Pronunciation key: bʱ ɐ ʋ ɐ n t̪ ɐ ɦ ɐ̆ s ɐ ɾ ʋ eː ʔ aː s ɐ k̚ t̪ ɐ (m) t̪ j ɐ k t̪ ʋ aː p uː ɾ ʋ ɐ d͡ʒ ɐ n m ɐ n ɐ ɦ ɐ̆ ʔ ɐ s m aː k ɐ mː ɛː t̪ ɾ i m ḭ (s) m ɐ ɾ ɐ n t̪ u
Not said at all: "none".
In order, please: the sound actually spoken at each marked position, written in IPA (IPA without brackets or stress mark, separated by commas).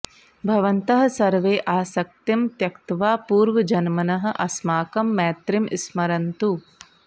m, s